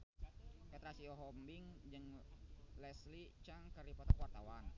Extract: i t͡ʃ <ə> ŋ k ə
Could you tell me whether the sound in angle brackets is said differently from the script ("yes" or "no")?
yes